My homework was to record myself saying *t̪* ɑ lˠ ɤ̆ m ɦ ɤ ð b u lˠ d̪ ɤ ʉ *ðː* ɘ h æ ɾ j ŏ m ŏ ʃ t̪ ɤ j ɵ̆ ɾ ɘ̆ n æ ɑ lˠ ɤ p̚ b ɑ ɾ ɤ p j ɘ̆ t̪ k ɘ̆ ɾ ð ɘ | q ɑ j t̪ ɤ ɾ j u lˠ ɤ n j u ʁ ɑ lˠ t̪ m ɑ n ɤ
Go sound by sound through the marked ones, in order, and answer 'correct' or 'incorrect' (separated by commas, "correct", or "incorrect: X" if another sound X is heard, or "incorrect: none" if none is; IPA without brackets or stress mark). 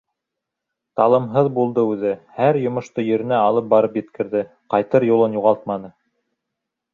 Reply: correct, incorrect: ð